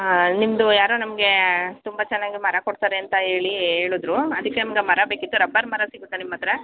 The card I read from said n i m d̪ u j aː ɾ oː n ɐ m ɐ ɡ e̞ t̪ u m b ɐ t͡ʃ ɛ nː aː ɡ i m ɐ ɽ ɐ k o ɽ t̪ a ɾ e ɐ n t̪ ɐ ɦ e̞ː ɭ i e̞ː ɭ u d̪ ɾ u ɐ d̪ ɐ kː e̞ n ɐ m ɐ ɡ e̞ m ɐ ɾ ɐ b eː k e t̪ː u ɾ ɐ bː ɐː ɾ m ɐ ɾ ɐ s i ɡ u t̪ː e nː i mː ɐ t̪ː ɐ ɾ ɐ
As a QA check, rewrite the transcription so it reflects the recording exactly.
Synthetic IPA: n i m d̪ u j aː ɾ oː n ɐ m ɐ ɡ e̞ t̪ u m b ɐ t͡ʃ ɛ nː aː ɡ i m ɐ ɾ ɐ k o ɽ t̪ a ɾ e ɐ n t̪ ɐ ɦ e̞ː ɭ i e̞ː ɭ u d̪ ɾ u ɐ d̪ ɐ kː e̞ n ɐ m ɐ ɡ e̞ m ɐ ɾ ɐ b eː k i t̪ː u ɾ ɐ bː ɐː ɾ m ɐ ɾ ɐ s i ɡ u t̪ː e n i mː ɐ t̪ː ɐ ɾ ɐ